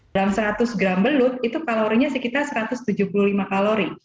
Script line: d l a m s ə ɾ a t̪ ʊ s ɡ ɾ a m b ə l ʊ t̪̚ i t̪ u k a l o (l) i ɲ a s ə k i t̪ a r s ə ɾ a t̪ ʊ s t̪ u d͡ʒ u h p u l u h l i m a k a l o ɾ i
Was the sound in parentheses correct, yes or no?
no